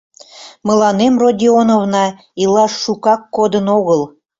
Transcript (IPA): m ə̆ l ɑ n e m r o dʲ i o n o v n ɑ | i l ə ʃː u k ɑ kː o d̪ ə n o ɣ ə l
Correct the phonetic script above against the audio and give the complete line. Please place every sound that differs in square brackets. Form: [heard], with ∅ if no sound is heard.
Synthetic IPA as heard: m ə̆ l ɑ n e m r o dʲ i o n o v n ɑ | i l [ɑ] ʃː u k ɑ kː o d̪ ə n o ɣ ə l